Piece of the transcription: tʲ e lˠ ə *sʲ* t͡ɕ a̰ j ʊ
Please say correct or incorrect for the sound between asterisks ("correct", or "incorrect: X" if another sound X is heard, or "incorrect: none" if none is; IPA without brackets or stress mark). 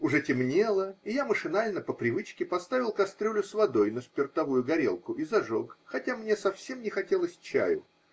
correct